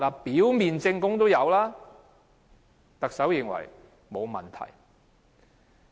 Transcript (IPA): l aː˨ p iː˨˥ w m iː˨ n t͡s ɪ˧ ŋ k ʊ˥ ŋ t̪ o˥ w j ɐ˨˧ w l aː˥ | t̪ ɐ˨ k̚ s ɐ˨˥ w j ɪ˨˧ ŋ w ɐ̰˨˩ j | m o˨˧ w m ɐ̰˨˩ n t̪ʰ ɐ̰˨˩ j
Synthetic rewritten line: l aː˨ p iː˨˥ w m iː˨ n t͡s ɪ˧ ŋ k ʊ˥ ŋ t̪ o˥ w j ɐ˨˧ w l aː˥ | t̪ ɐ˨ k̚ s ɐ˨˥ w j ɪ˨˧ ŋ w ɐ̰˨˩ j | m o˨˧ w m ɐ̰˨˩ n t̪ʰ ɐ̰˨˩ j